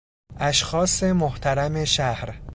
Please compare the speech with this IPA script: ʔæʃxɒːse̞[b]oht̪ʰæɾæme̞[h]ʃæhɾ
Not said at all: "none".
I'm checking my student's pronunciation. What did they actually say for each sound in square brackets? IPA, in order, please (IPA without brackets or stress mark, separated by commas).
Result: m, none